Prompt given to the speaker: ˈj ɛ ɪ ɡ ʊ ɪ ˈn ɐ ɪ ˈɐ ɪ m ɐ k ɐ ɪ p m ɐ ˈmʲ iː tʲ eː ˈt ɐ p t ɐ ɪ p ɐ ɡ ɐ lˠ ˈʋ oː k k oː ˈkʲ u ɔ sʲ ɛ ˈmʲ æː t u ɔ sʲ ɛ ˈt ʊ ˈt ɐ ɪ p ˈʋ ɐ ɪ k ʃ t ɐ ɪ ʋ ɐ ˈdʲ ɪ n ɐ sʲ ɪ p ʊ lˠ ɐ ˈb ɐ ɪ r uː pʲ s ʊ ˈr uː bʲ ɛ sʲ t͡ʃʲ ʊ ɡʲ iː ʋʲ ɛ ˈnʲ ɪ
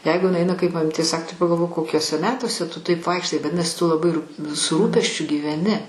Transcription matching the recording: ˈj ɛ ɪ ɡ ʊ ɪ ˈn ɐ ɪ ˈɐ ɪ n ɐ k ɐ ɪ p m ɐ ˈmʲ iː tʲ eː ˈs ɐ k t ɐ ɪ p ɐ ɡ ɐ lˠ ˈʋ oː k k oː ˈkʲ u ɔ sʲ ɛ ˈmʲ æː t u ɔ sʲ ɛ ˈt ʊ ˈt ɐ ɪ p ˈʋ ɐ ɪ k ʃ t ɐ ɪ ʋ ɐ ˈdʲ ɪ n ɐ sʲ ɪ t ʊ lˠ ɐ ˈb ɐ ɪ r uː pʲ s ʊ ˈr uː pʲ ɛ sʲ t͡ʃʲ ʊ ɡʲ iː ʋʲ ɛ ˈnʲ ɪ